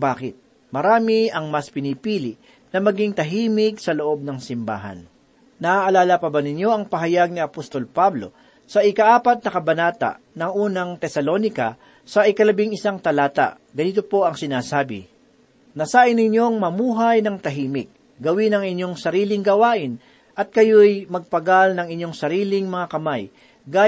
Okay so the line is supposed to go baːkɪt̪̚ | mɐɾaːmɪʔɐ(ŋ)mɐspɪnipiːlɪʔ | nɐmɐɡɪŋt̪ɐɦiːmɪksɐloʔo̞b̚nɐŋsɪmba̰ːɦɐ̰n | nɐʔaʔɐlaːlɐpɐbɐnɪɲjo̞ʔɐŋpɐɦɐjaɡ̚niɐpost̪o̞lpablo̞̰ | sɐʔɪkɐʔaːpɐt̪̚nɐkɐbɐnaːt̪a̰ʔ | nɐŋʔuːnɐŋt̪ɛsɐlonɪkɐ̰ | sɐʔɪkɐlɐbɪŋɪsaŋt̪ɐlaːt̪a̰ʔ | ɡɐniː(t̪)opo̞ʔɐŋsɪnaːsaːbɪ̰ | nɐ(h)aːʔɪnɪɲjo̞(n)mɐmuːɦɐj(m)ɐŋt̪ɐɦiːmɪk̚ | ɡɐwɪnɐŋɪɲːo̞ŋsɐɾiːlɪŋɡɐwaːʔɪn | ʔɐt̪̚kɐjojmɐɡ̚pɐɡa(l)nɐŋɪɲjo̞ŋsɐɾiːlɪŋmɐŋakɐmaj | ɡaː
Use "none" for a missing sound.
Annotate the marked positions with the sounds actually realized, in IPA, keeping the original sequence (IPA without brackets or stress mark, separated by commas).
ŋ, t̪, s, ŋ, n, l